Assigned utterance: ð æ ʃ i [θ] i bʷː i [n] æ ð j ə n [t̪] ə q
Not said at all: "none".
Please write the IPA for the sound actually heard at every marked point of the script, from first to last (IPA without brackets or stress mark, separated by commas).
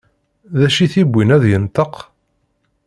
θ, n, t̪